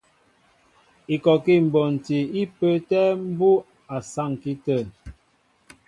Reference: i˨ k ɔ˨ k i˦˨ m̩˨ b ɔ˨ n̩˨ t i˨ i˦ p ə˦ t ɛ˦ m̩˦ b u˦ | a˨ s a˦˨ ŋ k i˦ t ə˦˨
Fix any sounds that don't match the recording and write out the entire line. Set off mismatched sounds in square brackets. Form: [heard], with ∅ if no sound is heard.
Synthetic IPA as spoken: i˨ k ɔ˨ k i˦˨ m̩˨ b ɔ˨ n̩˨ t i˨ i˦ p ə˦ t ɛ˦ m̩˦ b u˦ | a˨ s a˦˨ ŋ k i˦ t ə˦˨